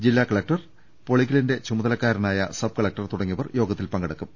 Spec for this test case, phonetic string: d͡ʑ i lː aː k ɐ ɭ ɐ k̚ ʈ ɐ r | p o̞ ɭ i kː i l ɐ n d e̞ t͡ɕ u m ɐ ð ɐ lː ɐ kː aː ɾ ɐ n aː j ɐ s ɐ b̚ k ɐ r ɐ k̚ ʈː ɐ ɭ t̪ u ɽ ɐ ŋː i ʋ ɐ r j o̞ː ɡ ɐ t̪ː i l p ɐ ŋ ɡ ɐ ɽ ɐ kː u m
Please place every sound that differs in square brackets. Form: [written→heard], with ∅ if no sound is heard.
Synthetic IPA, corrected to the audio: d͡ʑ i lː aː k ɐ ɭ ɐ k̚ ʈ ɐ r | p o̞ ɭ i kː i l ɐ n d e̞ t͡ɕ u m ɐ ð ɐ [lː→l] ɐ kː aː ɾ ɐ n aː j ɐ s ɐ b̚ k ɐ [r→ɭ] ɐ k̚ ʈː ɐ [ɭ→r] t̪ u ɽ ɐ ŋː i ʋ ɐ r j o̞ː ɡ ɐ t̪ː i l p ɐ ŋ ɡ ɐ ɽ ɐ kː u m